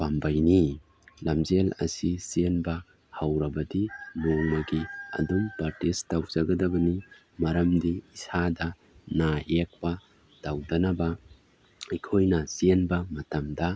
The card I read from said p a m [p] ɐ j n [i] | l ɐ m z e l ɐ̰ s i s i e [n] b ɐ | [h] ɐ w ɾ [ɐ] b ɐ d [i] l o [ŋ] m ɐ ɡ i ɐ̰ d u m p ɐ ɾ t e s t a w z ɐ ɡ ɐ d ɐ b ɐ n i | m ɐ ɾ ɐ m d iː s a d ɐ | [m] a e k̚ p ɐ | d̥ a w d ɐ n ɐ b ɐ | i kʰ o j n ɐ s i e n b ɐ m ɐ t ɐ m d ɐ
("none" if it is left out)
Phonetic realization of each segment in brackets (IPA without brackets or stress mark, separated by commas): b, i, n, h, ɐ, i, ŋ, n